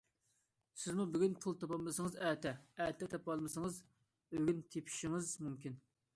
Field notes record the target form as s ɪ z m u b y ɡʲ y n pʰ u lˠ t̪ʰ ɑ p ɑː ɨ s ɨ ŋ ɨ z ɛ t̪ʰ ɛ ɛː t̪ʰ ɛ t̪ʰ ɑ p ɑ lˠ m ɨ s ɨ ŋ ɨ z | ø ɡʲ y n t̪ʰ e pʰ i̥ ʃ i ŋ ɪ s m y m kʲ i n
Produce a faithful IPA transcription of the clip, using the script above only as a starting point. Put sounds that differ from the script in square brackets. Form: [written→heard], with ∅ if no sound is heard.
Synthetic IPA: s ɪ z m u b y ɡʲ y n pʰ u lˠ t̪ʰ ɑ p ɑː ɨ s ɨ ŋ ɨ z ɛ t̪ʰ ɛ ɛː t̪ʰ ɛ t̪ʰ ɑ p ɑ lˠ m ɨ s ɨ ŋ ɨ z | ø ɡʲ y n t̪ʰ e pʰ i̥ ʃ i ŋ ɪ [s→z] m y m kʲ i n